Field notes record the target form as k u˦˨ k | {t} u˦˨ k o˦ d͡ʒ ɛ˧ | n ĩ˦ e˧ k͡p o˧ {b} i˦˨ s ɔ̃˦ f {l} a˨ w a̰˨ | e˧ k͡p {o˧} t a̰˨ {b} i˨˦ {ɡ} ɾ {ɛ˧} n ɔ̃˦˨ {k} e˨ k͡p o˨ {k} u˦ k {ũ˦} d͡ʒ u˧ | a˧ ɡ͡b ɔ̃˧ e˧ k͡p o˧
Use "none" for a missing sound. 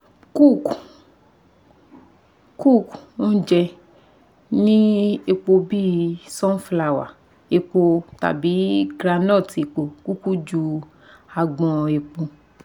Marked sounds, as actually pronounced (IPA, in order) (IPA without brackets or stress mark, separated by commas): k, b, l, o˧, b, ɡ, a˧, t, k, u˦